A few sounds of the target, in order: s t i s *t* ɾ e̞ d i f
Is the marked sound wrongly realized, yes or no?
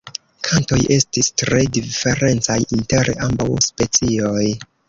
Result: no